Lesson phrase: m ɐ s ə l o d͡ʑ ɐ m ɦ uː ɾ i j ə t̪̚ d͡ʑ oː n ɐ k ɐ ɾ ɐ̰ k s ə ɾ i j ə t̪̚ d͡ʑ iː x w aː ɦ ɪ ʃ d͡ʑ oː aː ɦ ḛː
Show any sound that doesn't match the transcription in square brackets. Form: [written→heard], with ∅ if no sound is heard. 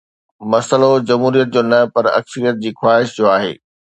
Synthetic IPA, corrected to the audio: m ɐ s ə l o d͡ʑ ɐ m ɦ uː ɾ i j ə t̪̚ d͡ʑ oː n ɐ [k→p] ɐ ɾ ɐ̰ k s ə ɾ i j ə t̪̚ d͡ʑ iː x w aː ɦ ɪ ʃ d͡ʑ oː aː ɦ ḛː